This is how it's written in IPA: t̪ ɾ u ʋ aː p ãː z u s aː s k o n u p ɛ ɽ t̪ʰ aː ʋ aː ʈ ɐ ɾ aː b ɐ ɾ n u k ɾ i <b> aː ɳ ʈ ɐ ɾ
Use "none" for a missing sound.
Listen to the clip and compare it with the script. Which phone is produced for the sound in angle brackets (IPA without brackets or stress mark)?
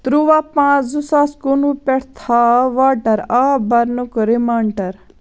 m